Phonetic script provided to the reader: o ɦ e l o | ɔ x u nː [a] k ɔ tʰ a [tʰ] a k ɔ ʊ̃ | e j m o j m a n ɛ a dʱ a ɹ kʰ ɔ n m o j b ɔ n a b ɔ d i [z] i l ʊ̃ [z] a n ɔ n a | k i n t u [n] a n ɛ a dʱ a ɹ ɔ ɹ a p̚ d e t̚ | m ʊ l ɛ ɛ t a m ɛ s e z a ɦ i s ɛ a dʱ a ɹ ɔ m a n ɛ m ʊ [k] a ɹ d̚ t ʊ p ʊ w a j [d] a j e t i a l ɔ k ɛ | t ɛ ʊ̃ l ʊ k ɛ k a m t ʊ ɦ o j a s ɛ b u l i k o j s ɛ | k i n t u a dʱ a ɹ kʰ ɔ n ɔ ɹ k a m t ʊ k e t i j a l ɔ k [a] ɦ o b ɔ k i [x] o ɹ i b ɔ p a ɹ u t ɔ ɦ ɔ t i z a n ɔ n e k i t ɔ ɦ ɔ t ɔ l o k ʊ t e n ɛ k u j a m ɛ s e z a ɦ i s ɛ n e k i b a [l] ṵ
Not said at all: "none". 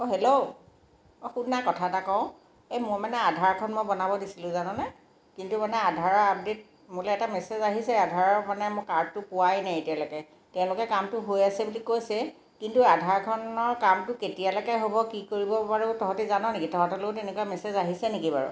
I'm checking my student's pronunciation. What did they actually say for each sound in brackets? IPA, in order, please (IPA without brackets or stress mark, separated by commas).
a, t, s, z, m, k, n, ɛ, k, ɹ